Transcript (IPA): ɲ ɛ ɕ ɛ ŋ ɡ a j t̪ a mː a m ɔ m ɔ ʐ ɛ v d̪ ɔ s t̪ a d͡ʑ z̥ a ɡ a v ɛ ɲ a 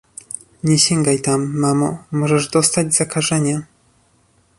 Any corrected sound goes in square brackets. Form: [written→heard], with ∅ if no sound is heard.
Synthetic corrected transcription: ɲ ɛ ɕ ɛ ŋ ɡ a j t̪ a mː a m ɔ m ɔ ʐ ɛ [v→ʐ] d̪ ɔ s t̪ a d͡ʑ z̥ a [ɡ→k] a [v→ʐ] ɛ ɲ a